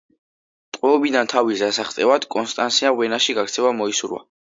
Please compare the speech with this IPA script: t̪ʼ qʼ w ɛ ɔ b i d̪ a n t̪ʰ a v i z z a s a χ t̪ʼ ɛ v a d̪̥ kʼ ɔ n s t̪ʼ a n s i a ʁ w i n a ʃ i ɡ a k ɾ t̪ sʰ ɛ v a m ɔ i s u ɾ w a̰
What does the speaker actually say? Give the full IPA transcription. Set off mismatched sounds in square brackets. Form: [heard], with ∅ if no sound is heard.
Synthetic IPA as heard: t̪ʼ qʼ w ɛ ɔ b i d̪ a n t̪ʰ a v i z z a s a χ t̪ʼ ɛ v a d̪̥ kʼ ɔ n s t̪ʼ a n s i a ʁ w [ɛ] n a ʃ i ɡ a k ɾ t̪ sʰ ɛ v a m ɔ i s u ɾ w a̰